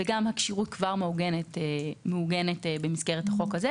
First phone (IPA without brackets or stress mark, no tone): v